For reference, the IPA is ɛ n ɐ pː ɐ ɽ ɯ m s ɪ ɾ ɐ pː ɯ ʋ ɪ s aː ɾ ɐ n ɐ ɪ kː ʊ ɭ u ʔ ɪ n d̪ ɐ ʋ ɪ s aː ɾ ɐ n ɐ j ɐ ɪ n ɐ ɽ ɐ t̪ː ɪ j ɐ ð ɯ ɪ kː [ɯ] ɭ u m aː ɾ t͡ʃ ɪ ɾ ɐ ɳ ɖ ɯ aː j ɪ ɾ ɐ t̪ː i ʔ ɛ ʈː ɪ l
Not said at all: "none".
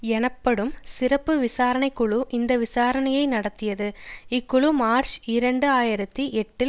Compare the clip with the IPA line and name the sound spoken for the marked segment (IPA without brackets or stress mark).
ʊ